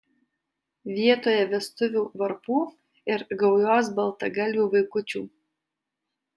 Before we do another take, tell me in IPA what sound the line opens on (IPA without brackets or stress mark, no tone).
ʋʲ